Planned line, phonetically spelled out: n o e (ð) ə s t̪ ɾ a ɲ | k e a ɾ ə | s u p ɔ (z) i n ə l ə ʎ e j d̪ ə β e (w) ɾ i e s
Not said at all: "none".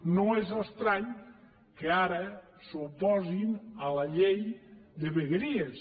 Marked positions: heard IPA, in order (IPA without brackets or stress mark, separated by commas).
z, z, ɣ